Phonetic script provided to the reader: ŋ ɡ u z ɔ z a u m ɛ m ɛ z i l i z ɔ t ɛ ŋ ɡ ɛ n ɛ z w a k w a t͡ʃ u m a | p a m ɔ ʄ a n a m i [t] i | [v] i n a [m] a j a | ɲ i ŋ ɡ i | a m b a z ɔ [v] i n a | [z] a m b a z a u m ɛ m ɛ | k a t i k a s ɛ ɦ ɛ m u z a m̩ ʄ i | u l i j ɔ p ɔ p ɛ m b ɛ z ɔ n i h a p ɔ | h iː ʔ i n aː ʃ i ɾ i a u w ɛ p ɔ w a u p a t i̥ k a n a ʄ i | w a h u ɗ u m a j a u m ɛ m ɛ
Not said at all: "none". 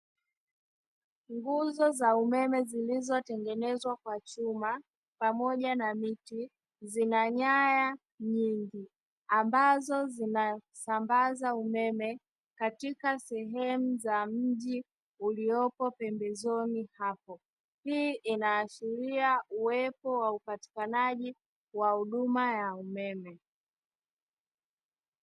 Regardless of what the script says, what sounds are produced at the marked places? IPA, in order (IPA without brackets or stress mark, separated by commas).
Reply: t, z, ɲ, z, s